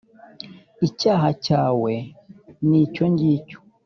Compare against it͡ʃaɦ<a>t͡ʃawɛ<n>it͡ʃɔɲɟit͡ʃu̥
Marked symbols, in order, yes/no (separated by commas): yes, yes